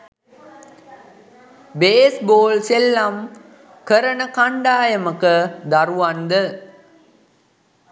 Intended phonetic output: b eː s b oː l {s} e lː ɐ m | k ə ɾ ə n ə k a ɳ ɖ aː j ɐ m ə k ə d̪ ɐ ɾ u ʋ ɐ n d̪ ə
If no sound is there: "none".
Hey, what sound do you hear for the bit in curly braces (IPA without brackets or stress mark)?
s